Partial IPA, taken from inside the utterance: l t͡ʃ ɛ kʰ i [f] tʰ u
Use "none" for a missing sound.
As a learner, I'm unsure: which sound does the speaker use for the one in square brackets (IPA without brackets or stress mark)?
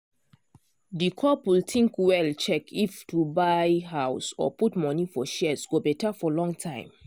f